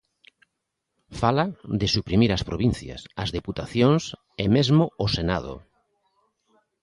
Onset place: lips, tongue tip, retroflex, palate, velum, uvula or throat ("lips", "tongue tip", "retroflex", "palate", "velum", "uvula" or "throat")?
lips